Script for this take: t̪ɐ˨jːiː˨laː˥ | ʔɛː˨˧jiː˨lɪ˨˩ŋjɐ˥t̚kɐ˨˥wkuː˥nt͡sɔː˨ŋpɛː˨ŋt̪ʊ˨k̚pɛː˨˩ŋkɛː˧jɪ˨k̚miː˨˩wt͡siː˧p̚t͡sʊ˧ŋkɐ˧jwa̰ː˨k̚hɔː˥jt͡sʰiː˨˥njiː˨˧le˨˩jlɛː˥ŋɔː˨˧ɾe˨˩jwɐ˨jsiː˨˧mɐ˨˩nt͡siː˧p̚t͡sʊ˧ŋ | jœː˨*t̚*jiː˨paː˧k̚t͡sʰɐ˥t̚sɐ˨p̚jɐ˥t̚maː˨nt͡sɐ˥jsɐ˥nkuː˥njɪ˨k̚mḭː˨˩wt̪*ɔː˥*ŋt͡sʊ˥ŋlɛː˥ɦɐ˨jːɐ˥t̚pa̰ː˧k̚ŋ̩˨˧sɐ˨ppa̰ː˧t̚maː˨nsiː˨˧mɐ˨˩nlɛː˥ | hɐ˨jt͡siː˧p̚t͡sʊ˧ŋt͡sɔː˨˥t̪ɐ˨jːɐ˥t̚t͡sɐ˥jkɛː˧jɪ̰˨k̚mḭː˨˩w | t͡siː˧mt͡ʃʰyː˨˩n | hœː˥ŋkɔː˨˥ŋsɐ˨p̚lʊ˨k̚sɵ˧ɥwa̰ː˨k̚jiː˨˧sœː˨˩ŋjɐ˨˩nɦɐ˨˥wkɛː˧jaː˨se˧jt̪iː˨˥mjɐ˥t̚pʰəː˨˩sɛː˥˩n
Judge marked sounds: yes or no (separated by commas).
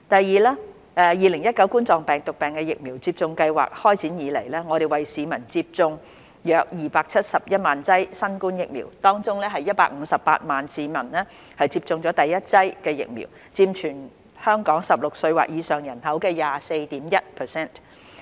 no, yes